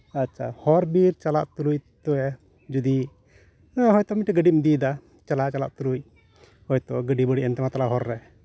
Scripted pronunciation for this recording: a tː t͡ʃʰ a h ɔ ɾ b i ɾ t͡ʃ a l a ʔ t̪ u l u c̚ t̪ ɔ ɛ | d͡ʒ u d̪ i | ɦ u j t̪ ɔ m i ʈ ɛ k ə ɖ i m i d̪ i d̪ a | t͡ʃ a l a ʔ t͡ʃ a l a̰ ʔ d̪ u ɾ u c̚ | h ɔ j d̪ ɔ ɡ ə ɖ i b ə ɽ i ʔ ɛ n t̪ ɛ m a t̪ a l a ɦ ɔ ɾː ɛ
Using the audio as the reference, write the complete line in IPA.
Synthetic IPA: a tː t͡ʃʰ a h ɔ ɾ b i ɾ t͡ʃ a l a ʔ t̪ u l u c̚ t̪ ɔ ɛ | d͡ʒ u d̪ i | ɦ ɔ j t̪ ɔ m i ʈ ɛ ɡ ə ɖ i m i d̪ i d̪ a | t͡ʃ a l a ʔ t͡ʃ a l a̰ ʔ t̪ u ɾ u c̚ | h ɔ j t̪ ɔ ɡ ə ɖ i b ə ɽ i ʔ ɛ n t̪ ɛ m a t̪ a l a ɦ ɔ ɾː ɛ